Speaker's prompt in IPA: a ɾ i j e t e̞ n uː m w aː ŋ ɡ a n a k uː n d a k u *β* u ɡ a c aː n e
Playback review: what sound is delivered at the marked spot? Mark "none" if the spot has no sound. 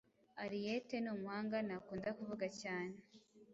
v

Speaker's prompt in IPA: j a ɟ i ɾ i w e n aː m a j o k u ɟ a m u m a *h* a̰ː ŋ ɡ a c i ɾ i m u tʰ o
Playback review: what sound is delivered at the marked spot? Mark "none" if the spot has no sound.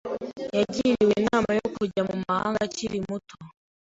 h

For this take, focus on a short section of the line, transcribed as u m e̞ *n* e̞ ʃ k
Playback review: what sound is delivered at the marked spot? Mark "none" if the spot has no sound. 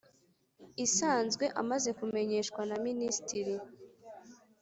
ɲ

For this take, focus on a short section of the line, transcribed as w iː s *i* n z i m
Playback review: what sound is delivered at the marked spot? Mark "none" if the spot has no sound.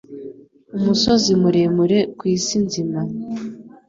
i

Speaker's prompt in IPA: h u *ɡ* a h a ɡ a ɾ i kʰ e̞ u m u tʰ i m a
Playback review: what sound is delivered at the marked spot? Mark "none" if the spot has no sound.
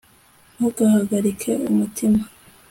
ɡ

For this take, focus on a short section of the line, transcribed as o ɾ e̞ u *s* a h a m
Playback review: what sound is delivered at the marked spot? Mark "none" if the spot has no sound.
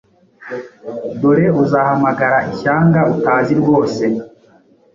z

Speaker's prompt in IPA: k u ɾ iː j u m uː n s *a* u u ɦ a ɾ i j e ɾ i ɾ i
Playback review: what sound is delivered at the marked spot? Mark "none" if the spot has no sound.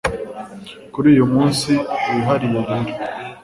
i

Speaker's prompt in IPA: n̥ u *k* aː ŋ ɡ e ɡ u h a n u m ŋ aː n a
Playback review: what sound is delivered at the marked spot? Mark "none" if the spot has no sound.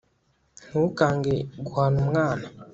k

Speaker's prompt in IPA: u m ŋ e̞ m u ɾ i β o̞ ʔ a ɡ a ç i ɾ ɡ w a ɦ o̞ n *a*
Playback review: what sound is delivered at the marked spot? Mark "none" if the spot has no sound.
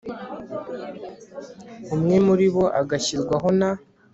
a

